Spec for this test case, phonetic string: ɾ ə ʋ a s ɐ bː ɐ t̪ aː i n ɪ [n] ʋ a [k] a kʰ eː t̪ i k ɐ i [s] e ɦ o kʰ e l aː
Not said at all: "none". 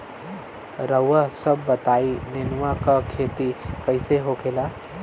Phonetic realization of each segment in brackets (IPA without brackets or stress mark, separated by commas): n, k, s